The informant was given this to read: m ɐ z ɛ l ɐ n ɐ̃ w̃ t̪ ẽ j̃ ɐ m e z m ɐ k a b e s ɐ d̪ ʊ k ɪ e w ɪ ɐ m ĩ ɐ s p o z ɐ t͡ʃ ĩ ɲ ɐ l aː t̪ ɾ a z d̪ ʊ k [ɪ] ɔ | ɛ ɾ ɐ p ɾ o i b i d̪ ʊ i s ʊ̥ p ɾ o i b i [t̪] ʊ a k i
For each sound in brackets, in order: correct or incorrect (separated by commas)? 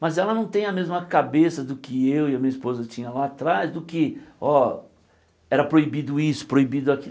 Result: correct, incorrect